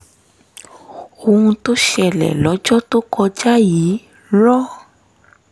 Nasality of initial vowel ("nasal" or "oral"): oral